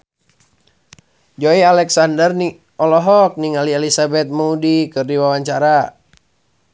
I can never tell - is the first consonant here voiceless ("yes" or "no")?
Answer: no